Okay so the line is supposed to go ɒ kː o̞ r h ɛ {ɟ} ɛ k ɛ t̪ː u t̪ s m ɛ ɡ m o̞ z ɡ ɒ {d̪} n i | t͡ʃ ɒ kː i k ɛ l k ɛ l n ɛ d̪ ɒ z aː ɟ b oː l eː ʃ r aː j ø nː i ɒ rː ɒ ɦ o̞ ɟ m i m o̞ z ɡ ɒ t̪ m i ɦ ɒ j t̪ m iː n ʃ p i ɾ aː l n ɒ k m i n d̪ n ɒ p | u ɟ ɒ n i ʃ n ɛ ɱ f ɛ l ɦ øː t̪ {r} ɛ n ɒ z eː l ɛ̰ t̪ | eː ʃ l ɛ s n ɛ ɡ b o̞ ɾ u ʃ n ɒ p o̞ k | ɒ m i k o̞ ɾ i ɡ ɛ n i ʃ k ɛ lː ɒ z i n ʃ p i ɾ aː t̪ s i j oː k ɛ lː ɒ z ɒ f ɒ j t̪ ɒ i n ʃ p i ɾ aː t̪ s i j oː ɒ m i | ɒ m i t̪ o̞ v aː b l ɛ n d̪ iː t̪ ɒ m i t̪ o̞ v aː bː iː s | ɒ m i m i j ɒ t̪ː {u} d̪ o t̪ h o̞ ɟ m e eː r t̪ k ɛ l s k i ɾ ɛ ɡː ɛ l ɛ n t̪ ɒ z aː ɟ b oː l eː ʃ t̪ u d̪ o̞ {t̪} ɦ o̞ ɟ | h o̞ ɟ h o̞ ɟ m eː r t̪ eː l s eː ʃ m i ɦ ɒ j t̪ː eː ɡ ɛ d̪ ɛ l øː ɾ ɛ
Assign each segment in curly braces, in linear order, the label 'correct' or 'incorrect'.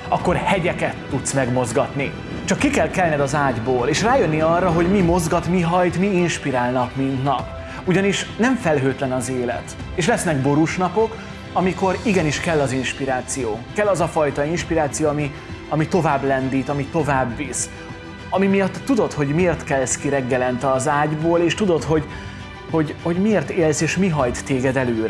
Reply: correct, incorrect: t̪, incorrect: l, correct, correct

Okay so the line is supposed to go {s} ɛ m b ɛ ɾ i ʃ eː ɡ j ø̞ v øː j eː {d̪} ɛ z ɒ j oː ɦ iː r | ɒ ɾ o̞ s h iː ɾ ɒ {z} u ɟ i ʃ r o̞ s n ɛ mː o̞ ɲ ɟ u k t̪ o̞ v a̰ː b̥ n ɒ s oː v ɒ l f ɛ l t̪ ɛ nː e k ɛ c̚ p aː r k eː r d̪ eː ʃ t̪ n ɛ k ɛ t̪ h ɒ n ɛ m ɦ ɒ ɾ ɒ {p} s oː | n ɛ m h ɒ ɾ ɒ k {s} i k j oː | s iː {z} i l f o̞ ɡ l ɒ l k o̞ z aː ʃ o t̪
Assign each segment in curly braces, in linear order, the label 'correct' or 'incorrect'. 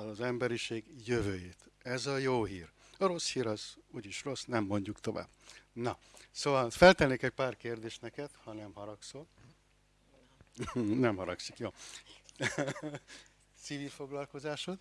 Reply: incorrect: z, incorrect: t̪, correct, incorrect: k, correct, incorrect: v

